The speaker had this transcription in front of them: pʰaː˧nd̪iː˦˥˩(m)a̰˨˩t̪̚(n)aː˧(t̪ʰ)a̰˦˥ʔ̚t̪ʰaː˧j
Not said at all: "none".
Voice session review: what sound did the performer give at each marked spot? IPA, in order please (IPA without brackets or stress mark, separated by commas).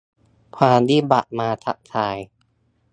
b, m, t̪ʰ